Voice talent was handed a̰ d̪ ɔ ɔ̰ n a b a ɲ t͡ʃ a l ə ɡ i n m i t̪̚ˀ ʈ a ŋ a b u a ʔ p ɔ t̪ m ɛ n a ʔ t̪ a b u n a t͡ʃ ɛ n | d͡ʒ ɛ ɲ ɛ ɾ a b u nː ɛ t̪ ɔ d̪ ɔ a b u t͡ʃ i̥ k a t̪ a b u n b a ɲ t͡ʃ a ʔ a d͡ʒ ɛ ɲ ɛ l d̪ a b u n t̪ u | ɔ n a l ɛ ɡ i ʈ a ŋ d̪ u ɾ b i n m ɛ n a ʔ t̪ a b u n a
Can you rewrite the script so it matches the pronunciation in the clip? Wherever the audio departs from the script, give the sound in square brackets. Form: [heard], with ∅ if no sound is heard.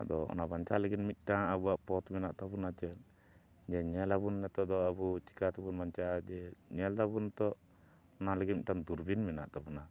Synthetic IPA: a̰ d̪ ɔ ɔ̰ n a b a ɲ t͡ʃ a l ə ɡ i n m i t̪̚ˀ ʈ a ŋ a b u a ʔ p ɔ t̪ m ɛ n a ʔ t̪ a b u n a t͡ʃ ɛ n | d͡ʒ ɛ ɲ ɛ [l] a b u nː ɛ t̪ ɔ d̪ ɔ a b u t͡ʃ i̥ k a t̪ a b u n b a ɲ t͡ʃ a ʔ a d͡ʒ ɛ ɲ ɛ l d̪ a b u n t̪ [ɔ] | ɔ n a l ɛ ɡ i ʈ a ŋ d̪ u ɾ b i n m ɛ n a ʔ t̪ a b u n a